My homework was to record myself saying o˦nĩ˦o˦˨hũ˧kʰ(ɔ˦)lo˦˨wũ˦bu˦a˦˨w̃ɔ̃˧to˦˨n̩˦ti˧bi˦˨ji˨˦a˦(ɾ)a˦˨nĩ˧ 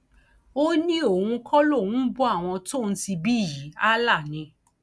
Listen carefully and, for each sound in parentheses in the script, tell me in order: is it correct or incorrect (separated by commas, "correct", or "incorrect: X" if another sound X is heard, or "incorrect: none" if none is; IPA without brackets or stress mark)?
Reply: correct, incorrect: l